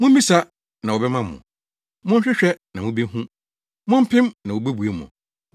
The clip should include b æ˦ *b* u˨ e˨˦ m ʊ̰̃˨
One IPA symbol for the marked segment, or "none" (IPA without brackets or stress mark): b